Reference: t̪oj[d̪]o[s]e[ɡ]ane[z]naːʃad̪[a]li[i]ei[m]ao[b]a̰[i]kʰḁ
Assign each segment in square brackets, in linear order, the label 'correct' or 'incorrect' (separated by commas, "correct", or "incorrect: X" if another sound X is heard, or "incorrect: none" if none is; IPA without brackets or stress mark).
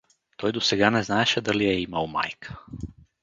correct, correct, correct, correct, correct, incorrect: j, correct, incorrect: m, incorrect: j